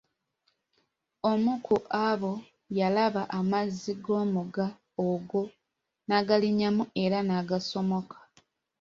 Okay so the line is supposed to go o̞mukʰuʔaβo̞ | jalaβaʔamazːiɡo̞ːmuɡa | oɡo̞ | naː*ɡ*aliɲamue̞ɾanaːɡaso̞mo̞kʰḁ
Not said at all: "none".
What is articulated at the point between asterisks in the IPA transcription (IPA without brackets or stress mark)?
ɡ